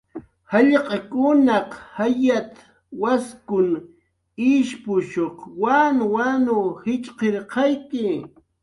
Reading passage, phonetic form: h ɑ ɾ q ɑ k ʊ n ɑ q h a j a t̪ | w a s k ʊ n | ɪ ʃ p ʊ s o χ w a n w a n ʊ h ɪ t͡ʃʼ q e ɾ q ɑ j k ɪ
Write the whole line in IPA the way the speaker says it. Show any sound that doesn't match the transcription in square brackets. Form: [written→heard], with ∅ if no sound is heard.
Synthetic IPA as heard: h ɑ [ɾ→ʎ] q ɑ k ʊ n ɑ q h a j a t̪ | w a s k ʊ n | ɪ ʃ p ʊ [s→ʃ] o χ w a n w a n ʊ h ɪ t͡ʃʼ q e ɾ q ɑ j k ɪ